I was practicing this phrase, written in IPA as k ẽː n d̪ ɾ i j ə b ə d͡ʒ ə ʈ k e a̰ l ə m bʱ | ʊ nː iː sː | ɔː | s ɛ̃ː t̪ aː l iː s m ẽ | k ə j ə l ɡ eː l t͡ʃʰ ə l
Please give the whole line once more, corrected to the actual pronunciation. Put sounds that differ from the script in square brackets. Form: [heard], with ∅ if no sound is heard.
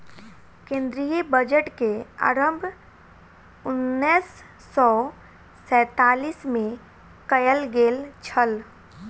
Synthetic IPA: k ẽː n d̪ ɾ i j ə b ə d͡ʒ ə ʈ k e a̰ [ɾ] ə m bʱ | ʊ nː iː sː | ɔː | s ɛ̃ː t̪ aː l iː s m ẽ | k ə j ə l ɡ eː l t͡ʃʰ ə l